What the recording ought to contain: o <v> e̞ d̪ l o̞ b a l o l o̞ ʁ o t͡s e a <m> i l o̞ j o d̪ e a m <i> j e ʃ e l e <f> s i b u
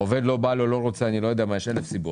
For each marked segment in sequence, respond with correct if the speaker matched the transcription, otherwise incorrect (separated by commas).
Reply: correct, incorrect, incorrect, correct